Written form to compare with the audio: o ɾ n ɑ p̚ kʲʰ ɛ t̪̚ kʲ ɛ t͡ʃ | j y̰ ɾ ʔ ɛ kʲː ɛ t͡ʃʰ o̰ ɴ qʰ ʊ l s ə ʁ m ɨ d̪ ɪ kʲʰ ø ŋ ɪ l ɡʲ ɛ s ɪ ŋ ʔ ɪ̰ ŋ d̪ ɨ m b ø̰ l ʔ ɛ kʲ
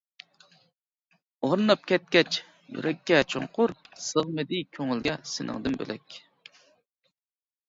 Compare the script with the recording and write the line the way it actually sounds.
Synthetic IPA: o ɾ n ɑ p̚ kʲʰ ɛ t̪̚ kʲ ɛ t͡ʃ | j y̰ ɾ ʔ ɛ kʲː ɛ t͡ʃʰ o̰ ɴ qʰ ʊ ɾ s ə ʁ m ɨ d̪ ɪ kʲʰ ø ŋ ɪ l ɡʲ ɛ s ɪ n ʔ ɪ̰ ŋ d̪ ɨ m b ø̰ l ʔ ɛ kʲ